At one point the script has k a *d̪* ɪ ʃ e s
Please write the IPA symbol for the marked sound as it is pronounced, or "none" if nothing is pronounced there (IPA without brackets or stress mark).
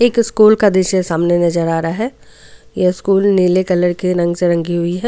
d̪